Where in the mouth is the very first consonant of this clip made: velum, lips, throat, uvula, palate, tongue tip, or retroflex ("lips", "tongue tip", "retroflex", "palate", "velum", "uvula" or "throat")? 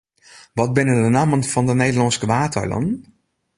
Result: lips